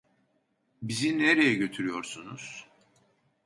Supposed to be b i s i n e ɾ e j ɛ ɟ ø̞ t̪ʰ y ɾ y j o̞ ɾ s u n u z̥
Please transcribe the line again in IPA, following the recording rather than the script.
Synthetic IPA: b i z i n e ɾ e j ɛ ɟ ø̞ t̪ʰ y ɾ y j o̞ ɾ s u n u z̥